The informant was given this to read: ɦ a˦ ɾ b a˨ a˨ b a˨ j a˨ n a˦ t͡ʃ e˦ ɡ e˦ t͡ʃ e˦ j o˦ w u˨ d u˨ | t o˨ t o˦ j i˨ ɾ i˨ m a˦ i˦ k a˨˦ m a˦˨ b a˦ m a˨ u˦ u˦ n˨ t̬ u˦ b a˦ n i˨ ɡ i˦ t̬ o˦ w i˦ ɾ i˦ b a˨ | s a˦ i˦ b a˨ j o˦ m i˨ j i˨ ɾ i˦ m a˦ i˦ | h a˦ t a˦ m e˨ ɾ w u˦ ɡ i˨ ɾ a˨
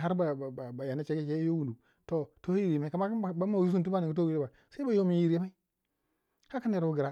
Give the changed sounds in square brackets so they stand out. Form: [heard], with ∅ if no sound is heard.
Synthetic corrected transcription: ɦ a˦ ɾ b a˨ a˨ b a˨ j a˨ n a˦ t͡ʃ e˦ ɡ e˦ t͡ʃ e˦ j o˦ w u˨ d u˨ | t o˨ t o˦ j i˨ ɾ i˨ m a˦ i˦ k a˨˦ m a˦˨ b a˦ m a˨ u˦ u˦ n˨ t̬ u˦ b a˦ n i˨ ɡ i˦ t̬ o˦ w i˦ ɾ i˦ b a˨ | s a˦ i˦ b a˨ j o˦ m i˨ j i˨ ɾ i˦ m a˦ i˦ | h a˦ [k] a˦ [n] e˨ ɾ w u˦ ɡ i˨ ɾ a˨